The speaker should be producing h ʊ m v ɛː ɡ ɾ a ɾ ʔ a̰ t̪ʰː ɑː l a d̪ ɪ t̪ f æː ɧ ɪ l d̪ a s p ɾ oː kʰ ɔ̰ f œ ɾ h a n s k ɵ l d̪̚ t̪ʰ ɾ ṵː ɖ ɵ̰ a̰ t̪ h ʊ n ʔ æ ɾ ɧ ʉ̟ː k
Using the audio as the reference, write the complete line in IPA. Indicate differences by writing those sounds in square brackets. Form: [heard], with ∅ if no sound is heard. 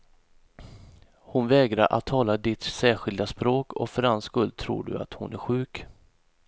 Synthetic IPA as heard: h ʊ [n] v ɛː ɡ ɾ a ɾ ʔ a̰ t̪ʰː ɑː l a d̪ ɪ t̪ [s] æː ɧ ɪ l d̪ a s p ɾ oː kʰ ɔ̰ f œ ɾ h a n s k ɵ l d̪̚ t̪ʰ ɾ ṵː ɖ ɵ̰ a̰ t̪ h ʊ n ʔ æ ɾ ɧ ʉ̟ː k